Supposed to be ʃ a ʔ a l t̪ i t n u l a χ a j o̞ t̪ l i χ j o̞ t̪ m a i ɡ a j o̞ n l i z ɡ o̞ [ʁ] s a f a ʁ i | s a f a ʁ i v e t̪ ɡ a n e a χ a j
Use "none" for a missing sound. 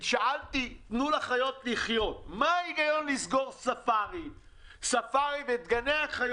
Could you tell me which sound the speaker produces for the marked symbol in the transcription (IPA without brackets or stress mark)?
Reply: ʁ